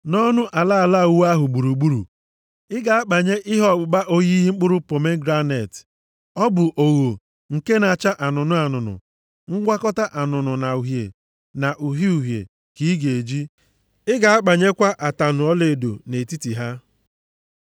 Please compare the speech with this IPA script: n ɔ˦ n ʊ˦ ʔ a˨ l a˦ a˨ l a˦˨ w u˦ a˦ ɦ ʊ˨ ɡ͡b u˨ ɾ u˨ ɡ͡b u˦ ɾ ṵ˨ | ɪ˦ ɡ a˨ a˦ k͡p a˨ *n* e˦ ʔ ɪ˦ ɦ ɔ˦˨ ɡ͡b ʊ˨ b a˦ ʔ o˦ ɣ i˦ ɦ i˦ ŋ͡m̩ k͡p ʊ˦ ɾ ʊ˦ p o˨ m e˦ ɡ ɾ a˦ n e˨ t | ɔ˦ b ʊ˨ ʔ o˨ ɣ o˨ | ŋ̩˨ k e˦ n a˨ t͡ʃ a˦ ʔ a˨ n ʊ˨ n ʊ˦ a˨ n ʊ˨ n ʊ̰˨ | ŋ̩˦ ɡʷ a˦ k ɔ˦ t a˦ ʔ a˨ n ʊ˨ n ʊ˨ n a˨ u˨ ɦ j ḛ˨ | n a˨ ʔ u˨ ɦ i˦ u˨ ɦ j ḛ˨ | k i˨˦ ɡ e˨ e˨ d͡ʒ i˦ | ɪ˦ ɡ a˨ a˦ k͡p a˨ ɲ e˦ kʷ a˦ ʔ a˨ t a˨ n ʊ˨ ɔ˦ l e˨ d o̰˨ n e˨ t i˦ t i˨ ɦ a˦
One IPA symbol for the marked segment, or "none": ɲ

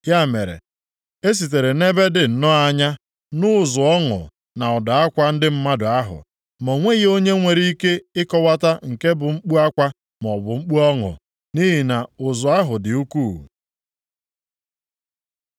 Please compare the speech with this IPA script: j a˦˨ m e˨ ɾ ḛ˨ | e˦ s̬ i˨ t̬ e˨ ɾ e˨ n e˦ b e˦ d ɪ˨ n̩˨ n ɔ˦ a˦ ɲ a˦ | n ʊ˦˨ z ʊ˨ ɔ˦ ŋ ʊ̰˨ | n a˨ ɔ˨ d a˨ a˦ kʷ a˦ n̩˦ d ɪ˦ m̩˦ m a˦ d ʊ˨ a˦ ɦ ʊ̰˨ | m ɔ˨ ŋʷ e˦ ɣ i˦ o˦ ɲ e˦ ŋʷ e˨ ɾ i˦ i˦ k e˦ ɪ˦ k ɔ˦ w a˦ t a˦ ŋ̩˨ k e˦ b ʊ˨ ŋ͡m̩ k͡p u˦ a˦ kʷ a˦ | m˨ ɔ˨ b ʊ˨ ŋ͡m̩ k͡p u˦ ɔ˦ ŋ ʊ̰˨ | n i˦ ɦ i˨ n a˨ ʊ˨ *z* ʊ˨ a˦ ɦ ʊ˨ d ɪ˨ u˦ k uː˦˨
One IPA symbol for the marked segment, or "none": z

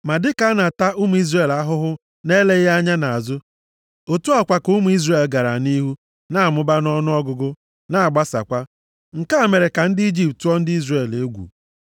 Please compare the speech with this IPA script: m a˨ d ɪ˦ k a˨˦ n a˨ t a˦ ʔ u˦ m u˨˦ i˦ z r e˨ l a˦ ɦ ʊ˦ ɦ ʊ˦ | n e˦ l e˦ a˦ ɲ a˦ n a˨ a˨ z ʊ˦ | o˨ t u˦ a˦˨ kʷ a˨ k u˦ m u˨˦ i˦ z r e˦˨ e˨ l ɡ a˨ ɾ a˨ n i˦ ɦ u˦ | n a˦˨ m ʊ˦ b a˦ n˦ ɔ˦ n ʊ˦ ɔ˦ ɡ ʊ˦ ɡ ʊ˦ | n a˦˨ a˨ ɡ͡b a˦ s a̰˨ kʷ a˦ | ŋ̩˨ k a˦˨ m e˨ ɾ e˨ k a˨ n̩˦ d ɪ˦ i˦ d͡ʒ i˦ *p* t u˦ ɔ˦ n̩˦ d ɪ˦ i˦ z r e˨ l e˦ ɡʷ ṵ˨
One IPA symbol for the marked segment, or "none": p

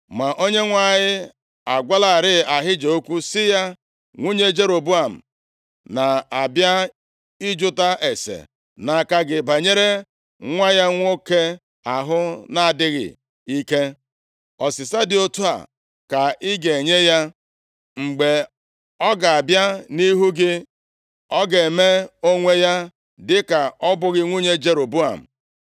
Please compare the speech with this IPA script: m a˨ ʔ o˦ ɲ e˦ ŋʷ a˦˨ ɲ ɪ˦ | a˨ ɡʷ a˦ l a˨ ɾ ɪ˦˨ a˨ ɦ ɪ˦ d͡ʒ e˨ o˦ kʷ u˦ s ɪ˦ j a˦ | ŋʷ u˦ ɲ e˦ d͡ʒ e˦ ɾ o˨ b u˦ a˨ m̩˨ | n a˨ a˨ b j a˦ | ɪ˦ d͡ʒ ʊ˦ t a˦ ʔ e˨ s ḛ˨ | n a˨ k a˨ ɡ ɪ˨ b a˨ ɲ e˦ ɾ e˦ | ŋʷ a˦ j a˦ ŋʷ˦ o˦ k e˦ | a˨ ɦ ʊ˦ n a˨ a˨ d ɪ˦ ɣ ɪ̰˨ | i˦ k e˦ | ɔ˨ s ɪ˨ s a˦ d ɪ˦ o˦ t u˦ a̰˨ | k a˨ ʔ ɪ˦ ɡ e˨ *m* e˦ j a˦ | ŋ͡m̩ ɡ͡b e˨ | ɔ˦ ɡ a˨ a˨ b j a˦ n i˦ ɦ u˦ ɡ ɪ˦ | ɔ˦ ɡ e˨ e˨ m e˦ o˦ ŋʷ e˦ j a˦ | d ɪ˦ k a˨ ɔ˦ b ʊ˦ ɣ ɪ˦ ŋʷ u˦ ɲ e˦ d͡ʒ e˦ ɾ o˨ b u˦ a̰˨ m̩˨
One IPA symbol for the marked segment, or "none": ɲ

